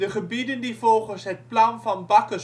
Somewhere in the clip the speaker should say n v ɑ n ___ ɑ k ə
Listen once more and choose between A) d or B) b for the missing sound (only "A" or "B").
B